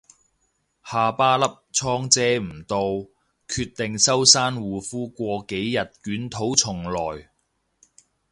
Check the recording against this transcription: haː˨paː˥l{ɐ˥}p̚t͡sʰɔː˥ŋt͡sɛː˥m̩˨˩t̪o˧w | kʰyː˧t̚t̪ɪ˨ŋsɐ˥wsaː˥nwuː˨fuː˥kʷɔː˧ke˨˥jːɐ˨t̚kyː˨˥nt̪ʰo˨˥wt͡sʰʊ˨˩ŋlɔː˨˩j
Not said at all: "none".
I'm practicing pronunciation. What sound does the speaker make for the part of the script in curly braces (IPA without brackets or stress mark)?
ɐ˥